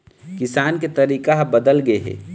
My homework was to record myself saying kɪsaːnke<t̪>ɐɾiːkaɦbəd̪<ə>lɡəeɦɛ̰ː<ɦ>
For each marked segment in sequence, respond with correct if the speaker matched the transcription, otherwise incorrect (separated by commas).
correct, correct, incorrect